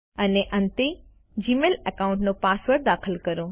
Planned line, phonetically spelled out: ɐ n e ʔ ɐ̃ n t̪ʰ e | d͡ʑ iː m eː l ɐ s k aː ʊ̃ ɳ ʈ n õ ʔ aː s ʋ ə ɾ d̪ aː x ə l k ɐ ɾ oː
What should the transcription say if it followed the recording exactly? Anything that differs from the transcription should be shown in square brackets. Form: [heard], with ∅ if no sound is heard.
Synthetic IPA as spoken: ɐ n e ʔ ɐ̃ n [t̪] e | d͡ʑ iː m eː l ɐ [∅] k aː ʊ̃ ɳ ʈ n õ [p] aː s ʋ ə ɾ d̪ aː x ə l k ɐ ɾ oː